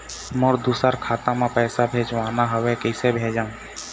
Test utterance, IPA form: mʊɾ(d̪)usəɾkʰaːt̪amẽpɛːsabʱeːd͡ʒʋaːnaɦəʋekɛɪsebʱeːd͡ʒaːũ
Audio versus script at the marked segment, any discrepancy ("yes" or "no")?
no